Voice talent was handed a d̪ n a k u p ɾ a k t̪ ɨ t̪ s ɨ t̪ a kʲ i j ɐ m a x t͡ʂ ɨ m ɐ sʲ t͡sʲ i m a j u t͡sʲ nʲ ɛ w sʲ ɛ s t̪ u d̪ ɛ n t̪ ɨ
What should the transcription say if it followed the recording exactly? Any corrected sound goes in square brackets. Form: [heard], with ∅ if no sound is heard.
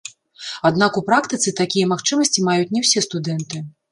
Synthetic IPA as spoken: a d̪ n a k u p ɾ a k t̪ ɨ t̪ s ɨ t̪ a kʲ i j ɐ m a x t͡ʂ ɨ m ɐ sʲ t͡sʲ i m a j u t͡sʲ nʲ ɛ w sʲ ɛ s t̪ u d̪ ɛ n t̪ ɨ